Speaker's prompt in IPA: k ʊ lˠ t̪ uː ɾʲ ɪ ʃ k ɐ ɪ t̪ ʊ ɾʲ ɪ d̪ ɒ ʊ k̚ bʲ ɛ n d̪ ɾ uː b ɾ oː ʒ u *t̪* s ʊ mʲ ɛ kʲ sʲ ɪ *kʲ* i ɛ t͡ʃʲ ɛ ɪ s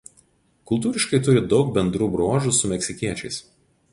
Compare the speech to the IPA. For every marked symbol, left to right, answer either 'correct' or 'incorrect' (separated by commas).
incorrect, correct